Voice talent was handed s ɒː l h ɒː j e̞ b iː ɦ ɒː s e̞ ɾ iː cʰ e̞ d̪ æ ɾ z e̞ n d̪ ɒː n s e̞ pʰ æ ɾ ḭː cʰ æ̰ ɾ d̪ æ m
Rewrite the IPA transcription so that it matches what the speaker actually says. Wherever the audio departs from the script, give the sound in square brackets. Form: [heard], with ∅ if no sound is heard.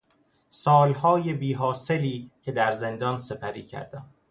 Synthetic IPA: s ɒː l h ɒː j e̞ b iː ɦ ɒː s e̞ [l] iː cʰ e̞ d̪ æ ɾ z e̞ n d̪ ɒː n s e̞ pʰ æ ɾ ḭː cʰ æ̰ ɾ d̪ æ m